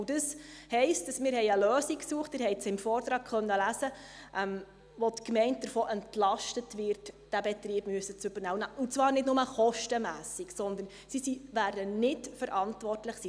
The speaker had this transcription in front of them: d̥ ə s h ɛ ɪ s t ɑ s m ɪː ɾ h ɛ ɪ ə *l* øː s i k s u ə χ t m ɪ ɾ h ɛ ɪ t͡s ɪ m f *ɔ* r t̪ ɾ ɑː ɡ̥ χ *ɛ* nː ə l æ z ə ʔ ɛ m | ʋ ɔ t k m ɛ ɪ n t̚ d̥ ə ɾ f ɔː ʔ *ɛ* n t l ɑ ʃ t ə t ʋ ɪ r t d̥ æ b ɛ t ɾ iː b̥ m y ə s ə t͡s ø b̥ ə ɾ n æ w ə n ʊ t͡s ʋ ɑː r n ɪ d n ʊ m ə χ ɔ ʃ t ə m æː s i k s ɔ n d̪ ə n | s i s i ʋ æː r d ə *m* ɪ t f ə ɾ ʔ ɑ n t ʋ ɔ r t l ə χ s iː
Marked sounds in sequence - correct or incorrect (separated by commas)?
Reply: correct, incorrect, incorrect, correct, incorrect